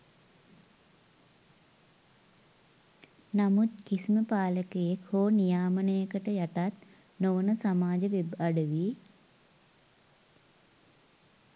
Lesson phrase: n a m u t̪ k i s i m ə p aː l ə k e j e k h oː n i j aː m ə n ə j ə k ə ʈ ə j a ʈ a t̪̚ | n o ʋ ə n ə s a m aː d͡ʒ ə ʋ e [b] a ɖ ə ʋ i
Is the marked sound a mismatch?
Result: no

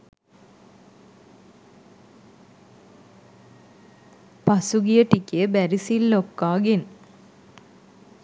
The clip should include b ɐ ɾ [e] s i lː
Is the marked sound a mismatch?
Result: yes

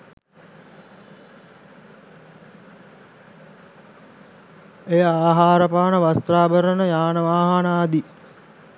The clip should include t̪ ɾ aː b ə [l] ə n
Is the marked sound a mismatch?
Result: yes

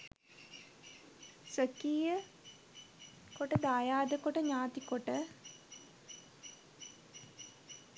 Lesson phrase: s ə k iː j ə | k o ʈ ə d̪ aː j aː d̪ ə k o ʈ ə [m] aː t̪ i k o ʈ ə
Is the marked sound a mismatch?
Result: yes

